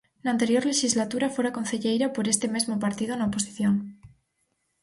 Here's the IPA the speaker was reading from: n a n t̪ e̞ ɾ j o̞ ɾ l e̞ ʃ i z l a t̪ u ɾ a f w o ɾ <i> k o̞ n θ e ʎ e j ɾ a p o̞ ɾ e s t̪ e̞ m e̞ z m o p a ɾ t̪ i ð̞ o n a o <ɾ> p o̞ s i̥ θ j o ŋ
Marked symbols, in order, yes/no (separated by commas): no, no